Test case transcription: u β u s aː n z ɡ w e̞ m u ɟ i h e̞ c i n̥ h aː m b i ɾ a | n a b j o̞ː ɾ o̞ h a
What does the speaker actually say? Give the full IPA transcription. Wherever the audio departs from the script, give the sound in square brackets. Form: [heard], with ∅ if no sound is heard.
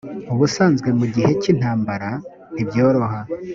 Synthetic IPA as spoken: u β u s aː n z ɡ w e̞ m u ɟ i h e̞ c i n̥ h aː m b [a] ɾ a | n [i] b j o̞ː ɾ o̞ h a